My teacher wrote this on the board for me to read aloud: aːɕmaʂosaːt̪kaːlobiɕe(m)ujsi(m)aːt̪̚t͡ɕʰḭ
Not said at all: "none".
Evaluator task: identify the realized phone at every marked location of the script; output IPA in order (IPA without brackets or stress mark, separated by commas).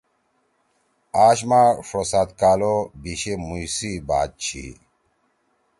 m, b